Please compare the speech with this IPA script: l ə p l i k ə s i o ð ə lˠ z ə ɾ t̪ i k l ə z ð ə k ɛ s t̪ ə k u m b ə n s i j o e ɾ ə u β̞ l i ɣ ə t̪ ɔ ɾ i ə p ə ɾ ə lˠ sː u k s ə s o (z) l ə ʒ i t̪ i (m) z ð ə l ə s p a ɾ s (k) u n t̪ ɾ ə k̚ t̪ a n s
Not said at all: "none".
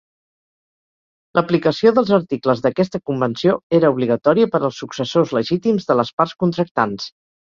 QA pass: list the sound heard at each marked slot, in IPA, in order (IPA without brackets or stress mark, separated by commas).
z, m, k